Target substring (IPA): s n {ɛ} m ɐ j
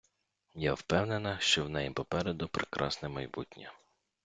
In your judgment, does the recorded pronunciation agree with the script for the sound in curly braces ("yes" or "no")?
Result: yes